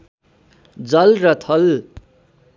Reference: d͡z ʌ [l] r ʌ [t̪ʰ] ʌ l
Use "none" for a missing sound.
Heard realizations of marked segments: l, t̪ʰ

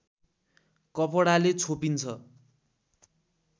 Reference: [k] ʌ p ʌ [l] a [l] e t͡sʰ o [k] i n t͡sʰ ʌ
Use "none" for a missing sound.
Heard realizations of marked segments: k, ɽ, l, p

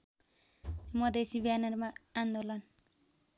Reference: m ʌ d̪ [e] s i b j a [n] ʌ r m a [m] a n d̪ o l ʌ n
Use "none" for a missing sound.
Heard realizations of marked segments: e, n, none

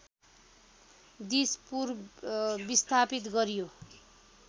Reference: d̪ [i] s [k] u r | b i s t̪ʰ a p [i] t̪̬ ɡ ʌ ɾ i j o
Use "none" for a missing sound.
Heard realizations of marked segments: i, p, i

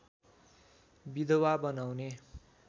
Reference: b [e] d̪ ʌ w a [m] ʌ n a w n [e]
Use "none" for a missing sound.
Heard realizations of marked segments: i, b, e

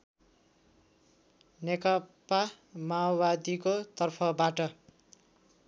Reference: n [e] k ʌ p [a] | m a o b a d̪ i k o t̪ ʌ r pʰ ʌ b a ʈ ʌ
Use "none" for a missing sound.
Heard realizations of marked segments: e, a

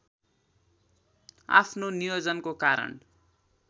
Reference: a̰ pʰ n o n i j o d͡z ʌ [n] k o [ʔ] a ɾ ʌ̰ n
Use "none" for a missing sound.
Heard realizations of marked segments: n, k

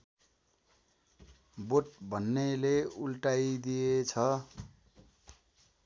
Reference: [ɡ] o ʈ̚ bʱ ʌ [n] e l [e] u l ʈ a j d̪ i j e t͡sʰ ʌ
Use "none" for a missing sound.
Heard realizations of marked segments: b, nː, e

